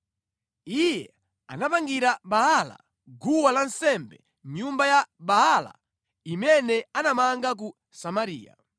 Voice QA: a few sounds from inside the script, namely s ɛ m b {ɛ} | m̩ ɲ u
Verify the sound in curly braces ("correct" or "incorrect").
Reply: correct